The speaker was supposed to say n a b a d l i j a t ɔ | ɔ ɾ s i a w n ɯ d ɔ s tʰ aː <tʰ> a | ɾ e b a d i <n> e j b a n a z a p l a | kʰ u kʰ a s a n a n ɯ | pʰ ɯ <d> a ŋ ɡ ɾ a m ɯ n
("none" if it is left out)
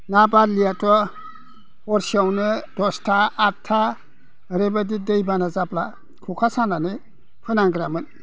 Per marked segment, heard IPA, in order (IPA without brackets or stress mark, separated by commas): tʰ, d, n